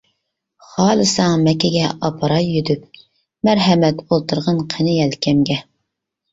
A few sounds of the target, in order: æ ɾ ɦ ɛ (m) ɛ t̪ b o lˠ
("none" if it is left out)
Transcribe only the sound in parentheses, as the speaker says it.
m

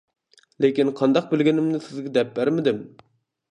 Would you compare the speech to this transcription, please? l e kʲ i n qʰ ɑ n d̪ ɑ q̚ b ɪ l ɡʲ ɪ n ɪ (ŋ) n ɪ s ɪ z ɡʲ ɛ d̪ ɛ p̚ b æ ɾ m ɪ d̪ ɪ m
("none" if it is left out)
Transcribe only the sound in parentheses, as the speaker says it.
m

